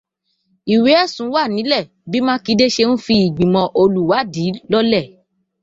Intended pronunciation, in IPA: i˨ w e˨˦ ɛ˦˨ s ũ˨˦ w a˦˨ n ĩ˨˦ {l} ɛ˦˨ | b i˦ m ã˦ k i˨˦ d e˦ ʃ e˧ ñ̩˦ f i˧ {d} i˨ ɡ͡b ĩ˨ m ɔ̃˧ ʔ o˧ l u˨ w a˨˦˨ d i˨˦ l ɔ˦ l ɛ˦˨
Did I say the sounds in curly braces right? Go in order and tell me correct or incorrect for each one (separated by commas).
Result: correct, incorrect